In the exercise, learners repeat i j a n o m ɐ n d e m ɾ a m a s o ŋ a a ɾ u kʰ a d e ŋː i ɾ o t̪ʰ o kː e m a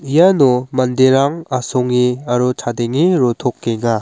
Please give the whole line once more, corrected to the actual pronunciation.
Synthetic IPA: i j a n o m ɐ n d e ɾ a ŋ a s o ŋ i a ɾ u tʰ a d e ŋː i ɾ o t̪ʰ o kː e ŋ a